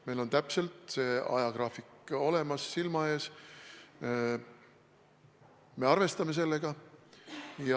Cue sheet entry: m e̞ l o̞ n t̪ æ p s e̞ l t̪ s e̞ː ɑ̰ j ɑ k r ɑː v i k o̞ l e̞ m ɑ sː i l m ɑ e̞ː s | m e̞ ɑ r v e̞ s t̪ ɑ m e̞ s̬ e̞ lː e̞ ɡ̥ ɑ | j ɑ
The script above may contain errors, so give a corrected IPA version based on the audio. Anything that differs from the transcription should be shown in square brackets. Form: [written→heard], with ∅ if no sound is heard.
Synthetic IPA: m e̞ l o̞ n t̪ æ p s e̞ l t̪ s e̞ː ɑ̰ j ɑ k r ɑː [v→f] i k o̞ l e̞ m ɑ sː i l m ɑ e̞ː s | m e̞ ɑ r v e̞ s t̪ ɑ m e̞ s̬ e̞ lː e̞ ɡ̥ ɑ | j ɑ